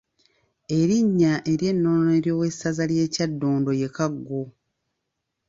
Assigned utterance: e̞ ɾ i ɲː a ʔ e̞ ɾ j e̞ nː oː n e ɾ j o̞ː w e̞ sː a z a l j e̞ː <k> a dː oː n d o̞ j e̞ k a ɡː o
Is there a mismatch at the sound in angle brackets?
yes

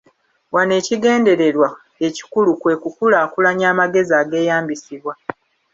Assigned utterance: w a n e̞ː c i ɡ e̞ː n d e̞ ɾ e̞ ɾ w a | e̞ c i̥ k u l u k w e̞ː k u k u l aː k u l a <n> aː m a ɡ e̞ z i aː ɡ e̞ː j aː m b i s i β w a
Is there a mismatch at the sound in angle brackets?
yes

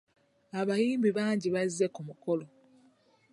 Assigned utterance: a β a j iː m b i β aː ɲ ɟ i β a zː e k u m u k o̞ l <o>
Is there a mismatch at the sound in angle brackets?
no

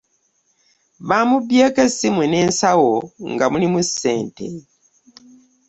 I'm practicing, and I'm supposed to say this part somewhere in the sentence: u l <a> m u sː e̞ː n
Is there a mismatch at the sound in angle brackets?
yes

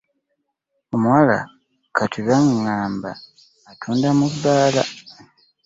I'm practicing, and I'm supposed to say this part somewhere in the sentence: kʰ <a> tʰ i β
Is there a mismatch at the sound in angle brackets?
no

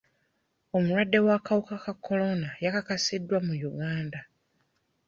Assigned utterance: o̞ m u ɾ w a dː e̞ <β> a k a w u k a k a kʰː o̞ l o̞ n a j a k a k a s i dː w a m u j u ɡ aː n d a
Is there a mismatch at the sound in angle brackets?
yes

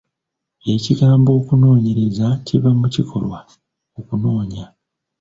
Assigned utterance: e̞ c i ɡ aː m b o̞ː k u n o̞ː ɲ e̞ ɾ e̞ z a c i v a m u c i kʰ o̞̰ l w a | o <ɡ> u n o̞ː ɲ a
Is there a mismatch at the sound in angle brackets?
yes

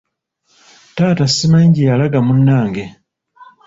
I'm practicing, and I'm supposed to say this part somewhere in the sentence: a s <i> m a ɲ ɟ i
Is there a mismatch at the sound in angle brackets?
no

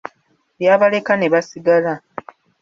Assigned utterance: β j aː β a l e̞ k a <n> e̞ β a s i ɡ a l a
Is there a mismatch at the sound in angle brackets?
no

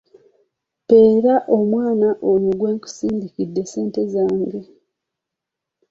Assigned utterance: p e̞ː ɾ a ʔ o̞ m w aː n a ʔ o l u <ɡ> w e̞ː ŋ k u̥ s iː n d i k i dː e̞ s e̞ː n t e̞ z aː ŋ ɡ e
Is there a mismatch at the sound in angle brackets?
no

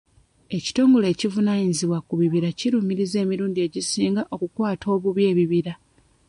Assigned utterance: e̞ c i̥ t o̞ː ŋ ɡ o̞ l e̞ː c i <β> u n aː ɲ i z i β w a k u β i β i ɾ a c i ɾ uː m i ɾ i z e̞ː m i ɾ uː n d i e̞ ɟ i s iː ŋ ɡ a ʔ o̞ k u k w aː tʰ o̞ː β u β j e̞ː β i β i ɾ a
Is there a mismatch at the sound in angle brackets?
yes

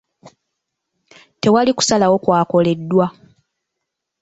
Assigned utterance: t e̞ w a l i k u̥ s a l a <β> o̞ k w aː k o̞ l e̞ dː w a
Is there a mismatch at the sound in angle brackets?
yes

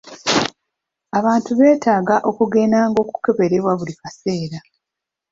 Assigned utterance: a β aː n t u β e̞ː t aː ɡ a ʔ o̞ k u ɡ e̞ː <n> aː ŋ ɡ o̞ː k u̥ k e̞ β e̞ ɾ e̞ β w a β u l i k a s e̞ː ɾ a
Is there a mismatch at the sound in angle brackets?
no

